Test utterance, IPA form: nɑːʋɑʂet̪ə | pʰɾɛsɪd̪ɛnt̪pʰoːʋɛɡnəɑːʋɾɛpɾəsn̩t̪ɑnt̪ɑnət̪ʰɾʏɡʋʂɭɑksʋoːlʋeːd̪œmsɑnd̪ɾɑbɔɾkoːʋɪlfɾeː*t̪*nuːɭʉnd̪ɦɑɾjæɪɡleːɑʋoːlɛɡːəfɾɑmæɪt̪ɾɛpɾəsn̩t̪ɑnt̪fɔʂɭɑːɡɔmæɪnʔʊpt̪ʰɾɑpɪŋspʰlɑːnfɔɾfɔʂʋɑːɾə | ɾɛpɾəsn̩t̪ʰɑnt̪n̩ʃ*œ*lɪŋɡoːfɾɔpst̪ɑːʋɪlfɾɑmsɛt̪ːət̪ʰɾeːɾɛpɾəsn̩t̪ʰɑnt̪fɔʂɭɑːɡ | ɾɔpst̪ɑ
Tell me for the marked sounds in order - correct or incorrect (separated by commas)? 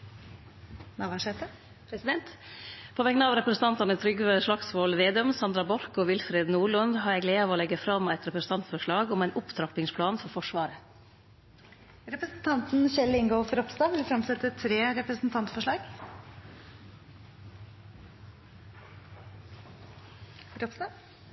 incorrect, incorrect